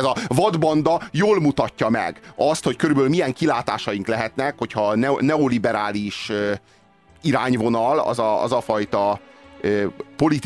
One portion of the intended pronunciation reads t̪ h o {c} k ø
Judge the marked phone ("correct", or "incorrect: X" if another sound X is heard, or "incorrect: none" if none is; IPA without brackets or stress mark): correct